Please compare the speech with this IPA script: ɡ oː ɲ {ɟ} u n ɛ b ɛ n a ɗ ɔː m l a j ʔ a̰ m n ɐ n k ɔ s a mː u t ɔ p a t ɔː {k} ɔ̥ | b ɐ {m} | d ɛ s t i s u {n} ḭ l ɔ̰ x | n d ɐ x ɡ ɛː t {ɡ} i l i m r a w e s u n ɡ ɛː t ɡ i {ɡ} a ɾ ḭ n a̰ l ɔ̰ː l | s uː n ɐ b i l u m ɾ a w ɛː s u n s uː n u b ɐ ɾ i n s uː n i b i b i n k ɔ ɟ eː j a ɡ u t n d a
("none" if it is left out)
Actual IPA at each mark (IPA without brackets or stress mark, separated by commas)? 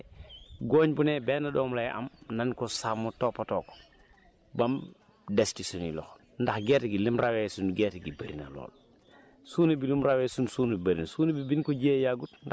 b, k, m, n, ɡ, b